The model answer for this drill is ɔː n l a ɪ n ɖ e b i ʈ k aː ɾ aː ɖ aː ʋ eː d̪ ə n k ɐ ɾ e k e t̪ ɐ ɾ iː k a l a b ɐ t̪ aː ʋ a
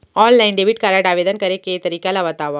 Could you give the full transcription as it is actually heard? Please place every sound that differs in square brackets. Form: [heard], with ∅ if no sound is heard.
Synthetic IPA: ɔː n l a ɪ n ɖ e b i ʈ k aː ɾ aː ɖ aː ʋ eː d̪ ə n k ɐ ɾ e k e t̪ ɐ ɾ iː k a l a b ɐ t̪ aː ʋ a